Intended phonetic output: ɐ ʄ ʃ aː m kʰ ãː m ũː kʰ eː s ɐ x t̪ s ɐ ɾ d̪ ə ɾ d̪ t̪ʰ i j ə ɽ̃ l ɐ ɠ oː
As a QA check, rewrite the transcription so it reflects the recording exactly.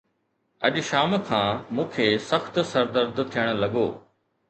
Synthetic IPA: ɐ ʄ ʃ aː m kʰ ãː m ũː kʰ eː s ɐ x t̪ s ɐ ɾ d̪ ə ɾ d̪ t̪ʰ i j ə ɽ̃ l ɐ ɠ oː